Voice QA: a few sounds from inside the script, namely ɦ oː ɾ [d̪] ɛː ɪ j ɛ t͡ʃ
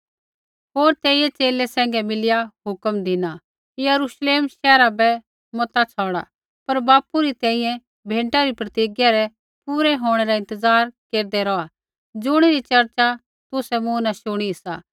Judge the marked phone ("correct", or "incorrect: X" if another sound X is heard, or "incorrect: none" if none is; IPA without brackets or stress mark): incorrect: t̪